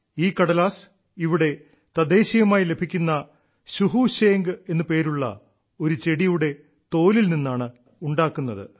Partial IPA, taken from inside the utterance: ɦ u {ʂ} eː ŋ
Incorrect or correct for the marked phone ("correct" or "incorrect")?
incorrect